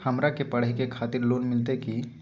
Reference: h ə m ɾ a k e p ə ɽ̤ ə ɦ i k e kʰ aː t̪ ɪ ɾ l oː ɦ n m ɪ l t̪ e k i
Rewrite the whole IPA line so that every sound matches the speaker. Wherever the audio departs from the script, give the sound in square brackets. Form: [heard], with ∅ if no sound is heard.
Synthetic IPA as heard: h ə m ɾ a k e p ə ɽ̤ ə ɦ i k e kʰ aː t̪ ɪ ɾ l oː [∅] n m ɪ l t̪ e k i